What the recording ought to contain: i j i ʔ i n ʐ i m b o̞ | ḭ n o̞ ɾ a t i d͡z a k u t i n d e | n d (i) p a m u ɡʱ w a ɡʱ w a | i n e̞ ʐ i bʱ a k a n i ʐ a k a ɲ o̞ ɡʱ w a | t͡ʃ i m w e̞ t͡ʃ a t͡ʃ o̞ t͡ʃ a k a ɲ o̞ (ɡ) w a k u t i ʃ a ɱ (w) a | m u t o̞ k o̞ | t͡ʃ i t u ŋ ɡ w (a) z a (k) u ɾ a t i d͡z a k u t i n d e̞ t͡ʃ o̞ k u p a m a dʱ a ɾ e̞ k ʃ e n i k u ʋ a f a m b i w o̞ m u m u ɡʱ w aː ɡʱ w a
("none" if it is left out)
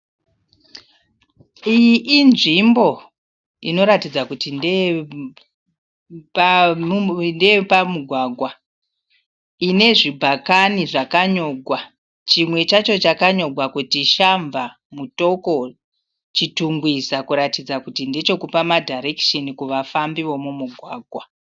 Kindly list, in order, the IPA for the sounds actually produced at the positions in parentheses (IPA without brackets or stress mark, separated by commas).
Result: e, ɡ, v, i, k